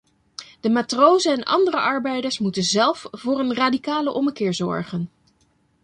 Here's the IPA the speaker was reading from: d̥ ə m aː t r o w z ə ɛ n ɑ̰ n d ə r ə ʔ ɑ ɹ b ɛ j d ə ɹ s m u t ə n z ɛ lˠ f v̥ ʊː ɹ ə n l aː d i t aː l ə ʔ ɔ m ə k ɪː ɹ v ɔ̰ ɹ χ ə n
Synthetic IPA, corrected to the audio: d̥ ə m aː t r o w z ə ɛ n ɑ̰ n d ə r ə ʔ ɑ ɹ b ɛ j d ə ɹ s m u t ə n z ɛ lˠ f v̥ ʊː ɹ ə n r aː d i k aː l ə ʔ ɔ m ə k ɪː ɹ z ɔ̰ ɹ χ ə n